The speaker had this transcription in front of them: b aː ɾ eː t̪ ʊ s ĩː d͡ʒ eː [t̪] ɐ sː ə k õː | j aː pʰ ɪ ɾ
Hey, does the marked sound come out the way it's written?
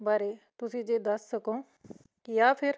no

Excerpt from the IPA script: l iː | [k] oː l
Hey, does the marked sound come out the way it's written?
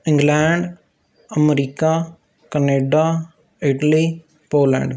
no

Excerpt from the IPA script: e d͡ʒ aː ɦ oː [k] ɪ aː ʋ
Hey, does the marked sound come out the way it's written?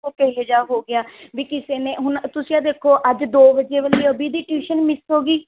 no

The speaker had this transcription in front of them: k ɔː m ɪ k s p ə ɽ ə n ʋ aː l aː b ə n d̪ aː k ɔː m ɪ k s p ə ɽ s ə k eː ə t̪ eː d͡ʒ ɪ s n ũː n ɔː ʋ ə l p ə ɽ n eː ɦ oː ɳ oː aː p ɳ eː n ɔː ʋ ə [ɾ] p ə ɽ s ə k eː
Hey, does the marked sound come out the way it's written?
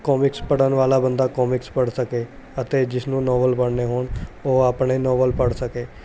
no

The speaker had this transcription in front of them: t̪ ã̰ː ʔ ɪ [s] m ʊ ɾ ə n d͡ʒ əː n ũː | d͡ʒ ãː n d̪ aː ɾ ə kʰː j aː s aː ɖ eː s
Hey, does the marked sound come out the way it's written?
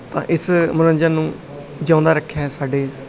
yes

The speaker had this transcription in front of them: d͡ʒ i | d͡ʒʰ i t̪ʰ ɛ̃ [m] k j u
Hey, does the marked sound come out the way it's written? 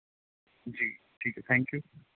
no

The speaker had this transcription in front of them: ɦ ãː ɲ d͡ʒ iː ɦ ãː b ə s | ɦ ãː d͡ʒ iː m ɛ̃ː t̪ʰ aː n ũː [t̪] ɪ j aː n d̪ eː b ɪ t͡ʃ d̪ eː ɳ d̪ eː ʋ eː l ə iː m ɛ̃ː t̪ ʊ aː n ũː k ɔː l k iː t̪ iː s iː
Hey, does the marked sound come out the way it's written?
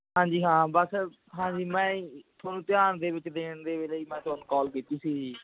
yes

